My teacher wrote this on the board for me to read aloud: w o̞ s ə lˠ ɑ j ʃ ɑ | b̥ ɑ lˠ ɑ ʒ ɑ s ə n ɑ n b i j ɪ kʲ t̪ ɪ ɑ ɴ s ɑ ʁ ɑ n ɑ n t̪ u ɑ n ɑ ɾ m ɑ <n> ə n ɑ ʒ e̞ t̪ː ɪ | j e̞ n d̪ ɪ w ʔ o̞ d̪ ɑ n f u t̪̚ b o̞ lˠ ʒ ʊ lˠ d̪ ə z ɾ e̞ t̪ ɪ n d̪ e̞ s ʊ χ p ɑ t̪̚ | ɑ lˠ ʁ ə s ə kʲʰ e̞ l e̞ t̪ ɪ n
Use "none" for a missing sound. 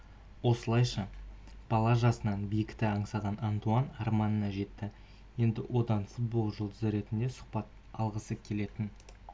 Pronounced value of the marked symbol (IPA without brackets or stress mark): n